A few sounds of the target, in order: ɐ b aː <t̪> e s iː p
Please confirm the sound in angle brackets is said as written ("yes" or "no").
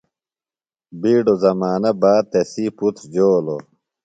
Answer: yes